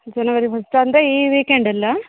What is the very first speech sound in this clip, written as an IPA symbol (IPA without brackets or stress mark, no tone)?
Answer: d͡ʒ